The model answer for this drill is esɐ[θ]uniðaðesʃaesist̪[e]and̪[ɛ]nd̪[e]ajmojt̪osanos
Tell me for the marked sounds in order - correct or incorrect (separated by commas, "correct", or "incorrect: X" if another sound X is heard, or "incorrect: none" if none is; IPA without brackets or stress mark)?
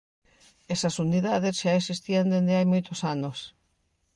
incorrect: s, incorrect: i, incorrect: e, correct